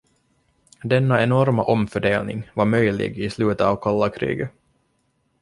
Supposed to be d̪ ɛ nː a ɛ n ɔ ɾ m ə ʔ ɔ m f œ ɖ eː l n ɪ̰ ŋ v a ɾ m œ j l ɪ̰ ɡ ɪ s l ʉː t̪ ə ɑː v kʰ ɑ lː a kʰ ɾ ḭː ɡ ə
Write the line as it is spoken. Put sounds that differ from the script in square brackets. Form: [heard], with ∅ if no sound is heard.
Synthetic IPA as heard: d̪ ɛ nː a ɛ n ɔ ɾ m [a] ʔ ɔ m f œ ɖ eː l n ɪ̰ ŋ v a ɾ m œ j l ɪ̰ ɡ ɪ s l ʉː t̪ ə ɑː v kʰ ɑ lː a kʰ ɾ ḭː ɡ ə